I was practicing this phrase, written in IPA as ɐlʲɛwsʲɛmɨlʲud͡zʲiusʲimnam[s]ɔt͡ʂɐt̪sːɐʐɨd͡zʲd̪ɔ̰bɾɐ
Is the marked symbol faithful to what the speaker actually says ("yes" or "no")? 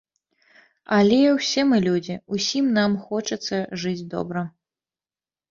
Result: no